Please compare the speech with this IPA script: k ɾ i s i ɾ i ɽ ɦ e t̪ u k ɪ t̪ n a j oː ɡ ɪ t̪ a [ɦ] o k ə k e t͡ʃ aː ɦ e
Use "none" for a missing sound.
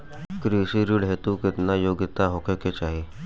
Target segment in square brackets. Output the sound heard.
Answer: ɦ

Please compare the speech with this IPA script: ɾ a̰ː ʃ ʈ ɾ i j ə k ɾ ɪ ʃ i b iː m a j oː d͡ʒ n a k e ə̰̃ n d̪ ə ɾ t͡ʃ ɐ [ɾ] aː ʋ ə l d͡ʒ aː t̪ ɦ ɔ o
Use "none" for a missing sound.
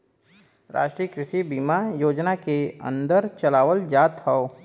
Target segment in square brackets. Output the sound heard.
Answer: l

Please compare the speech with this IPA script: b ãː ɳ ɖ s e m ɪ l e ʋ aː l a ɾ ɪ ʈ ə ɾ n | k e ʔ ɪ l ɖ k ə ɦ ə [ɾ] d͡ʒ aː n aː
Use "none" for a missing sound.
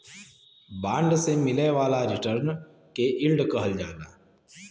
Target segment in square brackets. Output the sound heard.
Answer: l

